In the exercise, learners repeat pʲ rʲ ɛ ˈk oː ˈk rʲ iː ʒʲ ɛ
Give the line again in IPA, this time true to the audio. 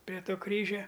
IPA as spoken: pʲ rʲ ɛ ˈt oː ˈk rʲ iː ʒʲ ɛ